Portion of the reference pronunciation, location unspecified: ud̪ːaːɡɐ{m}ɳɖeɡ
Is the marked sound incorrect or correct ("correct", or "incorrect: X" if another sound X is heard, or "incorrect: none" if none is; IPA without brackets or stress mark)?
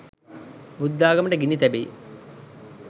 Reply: correct